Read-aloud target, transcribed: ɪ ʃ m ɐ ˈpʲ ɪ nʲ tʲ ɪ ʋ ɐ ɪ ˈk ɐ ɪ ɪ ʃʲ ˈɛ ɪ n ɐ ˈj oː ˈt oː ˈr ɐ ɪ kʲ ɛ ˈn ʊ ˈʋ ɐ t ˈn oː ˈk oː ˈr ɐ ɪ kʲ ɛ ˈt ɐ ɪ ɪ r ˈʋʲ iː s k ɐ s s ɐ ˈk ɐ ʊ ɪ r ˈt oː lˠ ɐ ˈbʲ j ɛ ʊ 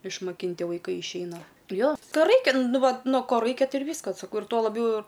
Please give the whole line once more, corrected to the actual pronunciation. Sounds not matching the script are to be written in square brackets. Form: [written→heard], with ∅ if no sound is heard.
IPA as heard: ɪ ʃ m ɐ [ˈpʲ→ˈkʲ] ɪ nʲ tʲ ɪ ʋ ɐ ɪ ˈk ɐ ɪ ɪ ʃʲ ˈɛ ɪ n ɐ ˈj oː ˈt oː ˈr ɐ ɪ kʲ ɛ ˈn ʊ ˈʋ ɐ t ˈn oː ˈk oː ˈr ɐ ɪ kʲ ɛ ˈt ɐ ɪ ɪ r ˈʋʲ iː s k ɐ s s ɐ ˈk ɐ ʊ ɪ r ˈt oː lˠ ɐ ˈbʲ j ɛ ʊ